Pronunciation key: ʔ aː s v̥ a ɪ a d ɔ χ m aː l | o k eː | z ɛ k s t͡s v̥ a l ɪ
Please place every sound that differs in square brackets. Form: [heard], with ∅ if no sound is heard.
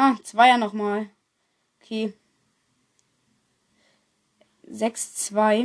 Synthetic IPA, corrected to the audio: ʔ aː [t͡s] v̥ a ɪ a [n] ɔ χ m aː l | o [kʰ] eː | z ɛ k s t͡s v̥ a [∅] ɪ